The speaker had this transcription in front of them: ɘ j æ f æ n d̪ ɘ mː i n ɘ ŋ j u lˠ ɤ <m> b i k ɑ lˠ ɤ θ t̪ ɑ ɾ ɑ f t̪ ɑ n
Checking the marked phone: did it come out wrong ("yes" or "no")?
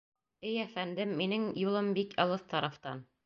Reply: no